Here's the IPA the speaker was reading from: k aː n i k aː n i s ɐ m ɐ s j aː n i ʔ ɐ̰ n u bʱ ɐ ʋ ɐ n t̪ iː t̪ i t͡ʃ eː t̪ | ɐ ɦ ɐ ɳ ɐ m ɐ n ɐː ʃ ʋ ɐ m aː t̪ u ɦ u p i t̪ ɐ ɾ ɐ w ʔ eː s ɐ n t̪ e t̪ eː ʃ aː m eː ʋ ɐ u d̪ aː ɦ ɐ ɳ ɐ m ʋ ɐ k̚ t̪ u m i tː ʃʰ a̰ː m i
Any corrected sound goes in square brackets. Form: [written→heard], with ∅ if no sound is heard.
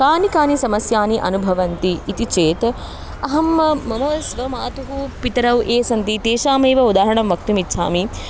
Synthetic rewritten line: k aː n i k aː n i s ɐ m ɐ s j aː n i ʔ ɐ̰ n u bʱ ɐ ʋ ɐ n t̪ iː t̪ i t͡ʃ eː t̪ | ɐ ɦ ɐ [ɳ→m] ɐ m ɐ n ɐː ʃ ʋ ɐ m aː t̪ u ɦ u p i t̪ ɐ ɾ ɐ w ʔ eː s ɐ n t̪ [e→i] t̪ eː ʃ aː m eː ʋ ɐ u d̪ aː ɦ ɐ ɳ ɐ m ʋ ɐ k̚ t̪ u m i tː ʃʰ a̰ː m i